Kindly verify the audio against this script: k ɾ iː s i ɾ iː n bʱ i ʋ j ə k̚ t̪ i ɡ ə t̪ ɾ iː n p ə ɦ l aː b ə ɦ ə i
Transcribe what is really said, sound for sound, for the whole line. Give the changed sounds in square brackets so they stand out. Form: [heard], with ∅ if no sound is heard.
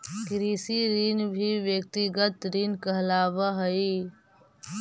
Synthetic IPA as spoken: k ɾ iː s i ɾ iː n bʱ i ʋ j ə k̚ t̪ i ɡ ə t̪ ɾ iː n [k] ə ɦ l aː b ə ɦ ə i